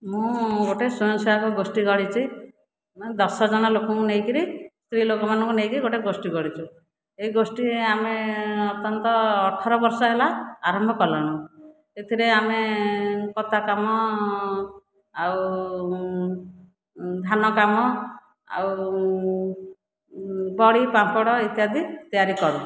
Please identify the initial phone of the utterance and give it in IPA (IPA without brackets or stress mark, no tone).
m